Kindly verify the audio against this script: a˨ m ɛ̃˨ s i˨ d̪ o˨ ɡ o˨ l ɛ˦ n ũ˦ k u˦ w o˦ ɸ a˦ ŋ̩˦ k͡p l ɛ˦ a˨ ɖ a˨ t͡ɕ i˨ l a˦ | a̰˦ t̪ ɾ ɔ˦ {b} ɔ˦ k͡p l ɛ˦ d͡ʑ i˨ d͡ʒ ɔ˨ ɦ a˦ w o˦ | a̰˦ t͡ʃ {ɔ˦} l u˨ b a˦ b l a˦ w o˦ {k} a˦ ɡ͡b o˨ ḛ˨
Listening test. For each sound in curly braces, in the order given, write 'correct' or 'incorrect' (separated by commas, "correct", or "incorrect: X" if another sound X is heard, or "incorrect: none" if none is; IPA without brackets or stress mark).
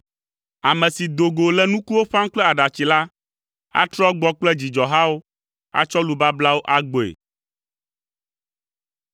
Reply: incorrect: ɡ͡b, correct, incorrect: ʔ